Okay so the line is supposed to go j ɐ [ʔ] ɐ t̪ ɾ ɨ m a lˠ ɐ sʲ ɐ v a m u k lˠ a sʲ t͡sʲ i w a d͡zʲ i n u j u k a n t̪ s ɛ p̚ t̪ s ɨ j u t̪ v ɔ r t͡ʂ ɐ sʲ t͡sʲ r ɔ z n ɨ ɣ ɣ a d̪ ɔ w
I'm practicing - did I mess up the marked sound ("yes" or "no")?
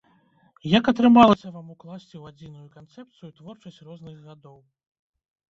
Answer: yes